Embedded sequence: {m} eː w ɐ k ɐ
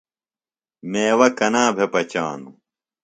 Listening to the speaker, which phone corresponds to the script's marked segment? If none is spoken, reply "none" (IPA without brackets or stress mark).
m